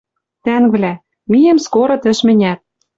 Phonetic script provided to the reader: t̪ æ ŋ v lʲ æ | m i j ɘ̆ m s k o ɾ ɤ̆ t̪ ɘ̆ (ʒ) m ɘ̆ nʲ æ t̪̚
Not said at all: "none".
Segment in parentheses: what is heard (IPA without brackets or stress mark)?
ʃ